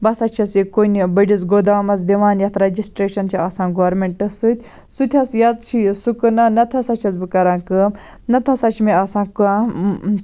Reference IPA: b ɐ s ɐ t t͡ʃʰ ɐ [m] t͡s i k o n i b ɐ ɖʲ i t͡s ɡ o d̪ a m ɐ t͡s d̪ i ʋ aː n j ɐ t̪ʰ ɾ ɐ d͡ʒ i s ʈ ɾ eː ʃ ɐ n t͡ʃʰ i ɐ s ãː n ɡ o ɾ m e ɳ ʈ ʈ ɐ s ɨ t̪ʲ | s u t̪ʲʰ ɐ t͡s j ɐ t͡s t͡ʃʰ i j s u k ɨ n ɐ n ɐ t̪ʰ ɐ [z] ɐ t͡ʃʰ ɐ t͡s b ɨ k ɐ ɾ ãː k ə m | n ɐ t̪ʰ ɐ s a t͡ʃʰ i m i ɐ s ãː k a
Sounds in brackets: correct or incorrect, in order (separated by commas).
incorrect, incorrect